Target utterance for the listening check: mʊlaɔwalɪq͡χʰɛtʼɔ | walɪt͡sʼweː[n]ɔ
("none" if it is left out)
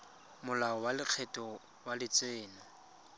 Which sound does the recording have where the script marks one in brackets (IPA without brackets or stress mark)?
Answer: n